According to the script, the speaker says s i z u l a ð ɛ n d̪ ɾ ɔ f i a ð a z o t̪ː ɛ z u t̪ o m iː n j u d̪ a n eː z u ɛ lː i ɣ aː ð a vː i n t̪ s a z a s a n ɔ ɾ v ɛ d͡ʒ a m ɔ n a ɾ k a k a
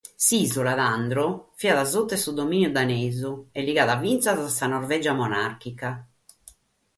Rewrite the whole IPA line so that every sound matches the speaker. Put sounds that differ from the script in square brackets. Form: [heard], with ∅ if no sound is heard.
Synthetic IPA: s i z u l a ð [a] n d̪ ɾ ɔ f i a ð a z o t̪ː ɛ [s] u [d̪] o m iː n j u d̪ a n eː z u ɛ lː i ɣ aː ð a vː i n t̪ s a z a s a n ɔ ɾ v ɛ d͡ʒ a m ɔ n a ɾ k [i] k a